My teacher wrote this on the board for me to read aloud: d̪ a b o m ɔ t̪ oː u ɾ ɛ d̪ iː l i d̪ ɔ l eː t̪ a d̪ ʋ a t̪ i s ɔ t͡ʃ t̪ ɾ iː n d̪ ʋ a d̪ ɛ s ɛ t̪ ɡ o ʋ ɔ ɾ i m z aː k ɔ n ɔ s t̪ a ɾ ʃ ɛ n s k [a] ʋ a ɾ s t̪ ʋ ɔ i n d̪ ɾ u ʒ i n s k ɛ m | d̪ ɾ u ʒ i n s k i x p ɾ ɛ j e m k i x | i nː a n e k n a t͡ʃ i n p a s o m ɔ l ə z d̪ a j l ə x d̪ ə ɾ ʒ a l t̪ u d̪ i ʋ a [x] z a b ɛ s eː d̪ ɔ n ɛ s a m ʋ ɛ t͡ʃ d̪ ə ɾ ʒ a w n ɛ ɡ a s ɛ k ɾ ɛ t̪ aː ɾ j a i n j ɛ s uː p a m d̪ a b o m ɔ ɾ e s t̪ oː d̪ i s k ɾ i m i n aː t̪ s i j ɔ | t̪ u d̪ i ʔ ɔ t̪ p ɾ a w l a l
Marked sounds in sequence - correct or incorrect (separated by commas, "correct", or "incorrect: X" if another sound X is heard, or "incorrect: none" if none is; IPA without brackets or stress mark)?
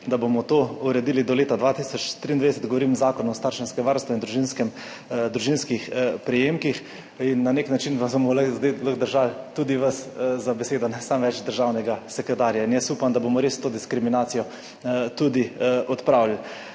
incorrect: ɛ, incorrect: s